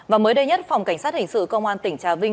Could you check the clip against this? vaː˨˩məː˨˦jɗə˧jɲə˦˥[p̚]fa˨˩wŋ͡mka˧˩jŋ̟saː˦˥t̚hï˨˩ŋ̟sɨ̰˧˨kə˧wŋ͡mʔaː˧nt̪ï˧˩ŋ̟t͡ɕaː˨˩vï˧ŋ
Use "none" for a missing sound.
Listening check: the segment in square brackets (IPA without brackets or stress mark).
t̚